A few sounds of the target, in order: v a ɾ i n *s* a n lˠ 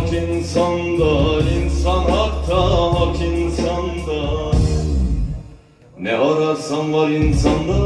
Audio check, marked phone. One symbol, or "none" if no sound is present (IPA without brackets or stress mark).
s